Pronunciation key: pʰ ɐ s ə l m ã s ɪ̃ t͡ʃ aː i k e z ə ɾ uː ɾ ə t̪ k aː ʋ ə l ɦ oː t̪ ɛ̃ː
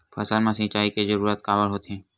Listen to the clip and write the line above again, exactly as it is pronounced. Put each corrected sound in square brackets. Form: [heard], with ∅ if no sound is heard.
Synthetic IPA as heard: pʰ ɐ s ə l m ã s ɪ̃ t͡ʃ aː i k e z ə ɾ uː ɾ ə t̪ k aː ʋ ə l ɦ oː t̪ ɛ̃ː